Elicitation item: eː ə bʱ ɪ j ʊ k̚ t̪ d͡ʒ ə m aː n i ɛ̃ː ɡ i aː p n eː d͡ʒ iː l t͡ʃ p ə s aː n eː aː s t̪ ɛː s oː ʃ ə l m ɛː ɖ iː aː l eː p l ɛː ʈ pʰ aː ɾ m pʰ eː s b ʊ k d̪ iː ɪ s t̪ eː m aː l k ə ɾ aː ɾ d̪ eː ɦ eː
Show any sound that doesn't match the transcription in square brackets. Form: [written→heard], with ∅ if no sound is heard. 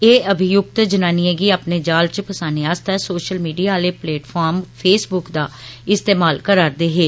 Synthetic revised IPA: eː ə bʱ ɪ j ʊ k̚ t̪ d͡ʒ ə [m→n] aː n i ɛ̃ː ɡ i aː p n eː d͡ʒ [iː→aː] l t͡ʃ p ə s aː n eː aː s t̪ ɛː s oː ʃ ə l m [ɛː→iː] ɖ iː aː l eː p l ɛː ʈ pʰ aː ɾ m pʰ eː s b ʊ k d̪ [iː→aː] ɪ s t̪ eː m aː l k ə ɾ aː ɾ d̪ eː ɦ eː